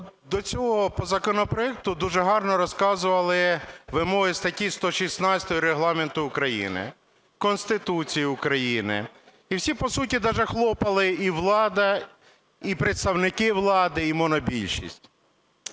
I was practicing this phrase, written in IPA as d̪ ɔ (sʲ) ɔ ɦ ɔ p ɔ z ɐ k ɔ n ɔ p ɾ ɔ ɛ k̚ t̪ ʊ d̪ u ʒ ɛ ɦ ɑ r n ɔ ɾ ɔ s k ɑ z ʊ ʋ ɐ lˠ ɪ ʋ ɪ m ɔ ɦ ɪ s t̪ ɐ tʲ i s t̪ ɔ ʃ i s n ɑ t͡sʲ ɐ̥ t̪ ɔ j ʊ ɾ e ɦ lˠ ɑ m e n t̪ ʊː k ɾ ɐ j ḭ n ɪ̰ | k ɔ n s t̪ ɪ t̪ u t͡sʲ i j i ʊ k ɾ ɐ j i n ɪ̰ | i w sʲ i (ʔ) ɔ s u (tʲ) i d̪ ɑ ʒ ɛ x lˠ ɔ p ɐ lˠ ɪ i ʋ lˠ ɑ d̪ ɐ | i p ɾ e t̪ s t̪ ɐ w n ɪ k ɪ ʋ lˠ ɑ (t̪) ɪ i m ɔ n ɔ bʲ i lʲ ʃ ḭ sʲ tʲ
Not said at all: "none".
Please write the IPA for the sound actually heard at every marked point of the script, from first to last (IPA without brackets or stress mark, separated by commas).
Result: t͡sʲ, p, tʲ, d̪